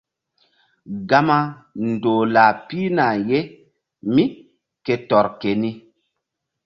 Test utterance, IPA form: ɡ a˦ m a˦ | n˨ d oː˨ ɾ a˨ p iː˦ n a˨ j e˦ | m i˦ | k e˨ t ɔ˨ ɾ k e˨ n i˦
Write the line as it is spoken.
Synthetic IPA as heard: ɡ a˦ m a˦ | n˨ d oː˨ l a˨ p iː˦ n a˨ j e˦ | m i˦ | k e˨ t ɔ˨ ɾ k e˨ n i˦